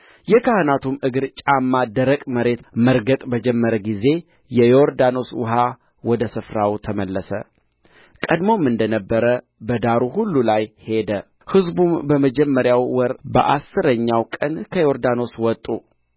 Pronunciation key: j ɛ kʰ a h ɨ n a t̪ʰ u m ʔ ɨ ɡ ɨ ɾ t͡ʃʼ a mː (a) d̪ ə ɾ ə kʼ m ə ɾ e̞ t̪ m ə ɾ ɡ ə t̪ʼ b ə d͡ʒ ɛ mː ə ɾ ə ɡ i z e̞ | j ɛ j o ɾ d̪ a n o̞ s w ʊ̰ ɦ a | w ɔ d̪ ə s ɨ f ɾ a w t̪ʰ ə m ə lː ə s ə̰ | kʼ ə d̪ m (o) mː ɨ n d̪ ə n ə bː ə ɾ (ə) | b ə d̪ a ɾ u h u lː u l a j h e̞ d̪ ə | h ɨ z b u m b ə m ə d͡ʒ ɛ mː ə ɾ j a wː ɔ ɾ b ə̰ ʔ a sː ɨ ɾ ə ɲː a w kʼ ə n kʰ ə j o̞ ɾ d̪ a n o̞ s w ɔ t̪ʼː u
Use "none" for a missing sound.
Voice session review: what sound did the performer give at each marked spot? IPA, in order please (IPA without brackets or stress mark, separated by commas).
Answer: a, o, ə